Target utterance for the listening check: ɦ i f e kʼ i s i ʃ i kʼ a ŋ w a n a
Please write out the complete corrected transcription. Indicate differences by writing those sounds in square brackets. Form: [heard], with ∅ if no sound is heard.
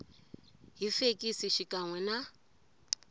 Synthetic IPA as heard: ɦ i f e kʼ i s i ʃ i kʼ a ŋ w [ɛ] n a

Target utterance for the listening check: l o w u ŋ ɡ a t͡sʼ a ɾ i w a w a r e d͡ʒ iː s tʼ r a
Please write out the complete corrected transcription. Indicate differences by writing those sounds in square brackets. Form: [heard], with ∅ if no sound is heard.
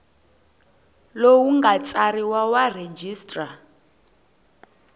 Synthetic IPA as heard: l o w u ŋ ɡ a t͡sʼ a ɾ i w a w a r e d͡ʒ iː s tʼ r a

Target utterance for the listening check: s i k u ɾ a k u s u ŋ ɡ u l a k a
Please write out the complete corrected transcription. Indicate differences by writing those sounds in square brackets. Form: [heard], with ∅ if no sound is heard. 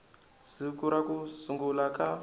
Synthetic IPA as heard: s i k u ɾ a k u s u ŋ ɡ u l a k a

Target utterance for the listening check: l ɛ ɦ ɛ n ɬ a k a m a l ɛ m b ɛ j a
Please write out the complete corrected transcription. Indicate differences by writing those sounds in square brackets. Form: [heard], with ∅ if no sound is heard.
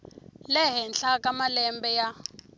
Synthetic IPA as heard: l ɛ ɦ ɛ n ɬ a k a m a l ɛ m b ɛ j a

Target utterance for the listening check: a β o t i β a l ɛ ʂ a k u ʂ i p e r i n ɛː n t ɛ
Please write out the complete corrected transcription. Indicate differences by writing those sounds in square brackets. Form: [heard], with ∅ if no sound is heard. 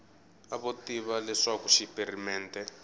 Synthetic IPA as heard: a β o t i β a l ɛ ʂ a k u [ʃ] i p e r i [m] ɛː n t ɛ

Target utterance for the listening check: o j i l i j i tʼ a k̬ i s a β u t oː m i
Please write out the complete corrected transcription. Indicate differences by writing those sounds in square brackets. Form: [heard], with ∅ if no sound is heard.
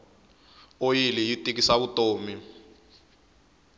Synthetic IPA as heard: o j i l i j i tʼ [i] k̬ i s a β u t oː m i

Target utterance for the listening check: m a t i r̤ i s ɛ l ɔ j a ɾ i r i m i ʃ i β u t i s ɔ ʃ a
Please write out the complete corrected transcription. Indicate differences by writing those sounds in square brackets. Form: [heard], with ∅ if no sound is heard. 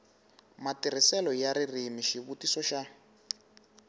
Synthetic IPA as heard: m a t i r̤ i s ɛ l ɔ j a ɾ i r i m i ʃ i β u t i s ɔ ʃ a

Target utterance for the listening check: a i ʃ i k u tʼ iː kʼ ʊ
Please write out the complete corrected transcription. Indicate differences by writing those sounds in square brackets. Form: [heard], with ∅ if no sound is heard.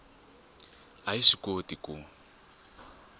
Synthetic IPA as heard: a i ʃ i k [o] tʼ [i] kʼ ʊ

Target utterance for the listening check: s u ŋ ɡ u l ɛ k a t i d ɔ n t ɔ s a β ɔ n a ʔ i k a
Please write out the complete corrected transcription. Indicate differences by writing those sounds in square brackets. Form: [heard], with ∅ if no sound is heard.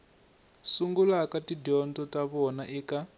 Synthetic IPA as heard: s u ŋ ɡ u l [a] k a t i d ɔ n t ɔ [t] a β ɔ n a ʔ i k a

